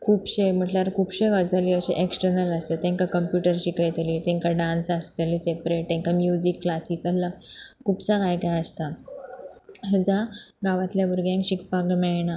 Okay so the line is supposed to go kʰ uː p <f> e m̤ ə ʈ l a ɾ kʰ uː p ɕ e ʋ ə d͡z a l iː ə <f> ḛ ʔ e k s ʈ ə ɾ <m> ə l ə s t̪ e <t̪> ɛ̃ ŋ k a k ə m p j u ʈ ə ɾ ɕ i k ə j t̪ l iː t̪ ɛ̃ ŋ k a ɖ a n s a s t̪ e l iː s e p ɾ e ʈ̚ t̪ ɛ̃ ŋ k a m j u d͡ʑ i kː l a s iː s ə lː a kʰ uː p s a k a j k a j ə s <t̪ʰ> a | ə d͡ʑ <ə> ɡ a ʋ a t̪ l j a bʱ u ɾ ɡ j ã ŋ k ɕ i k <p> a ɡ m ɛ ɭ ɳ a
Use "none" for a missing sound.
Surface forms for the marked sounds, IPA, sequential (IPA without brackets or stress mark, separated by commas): ɕ, ɕ, n, t̪, t̪, a, p